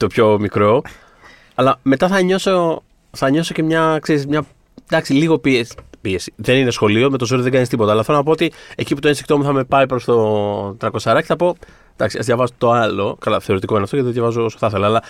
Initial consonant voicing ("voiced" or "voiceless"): voiceless